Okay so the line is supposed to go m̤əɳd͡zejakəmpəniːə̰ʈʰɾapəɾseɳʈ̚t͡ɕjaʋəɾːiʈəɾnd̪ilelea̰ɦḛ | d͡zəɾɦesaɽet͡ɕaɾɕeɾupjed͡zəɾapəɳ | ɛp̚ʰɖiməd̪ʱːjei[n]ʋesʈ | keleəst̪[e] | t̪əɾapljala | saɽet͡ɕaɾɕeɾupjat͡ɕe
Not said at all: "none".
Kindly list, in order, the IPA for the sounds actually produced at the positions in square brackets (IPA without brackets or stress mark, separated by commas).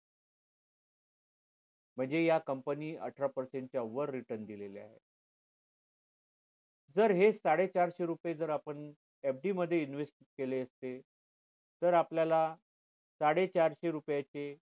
n, e